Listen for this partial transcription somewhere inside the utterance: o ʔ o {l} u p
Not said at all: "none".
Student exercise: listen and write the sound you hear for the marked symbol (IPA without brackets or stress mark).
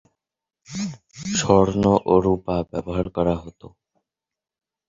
ɾ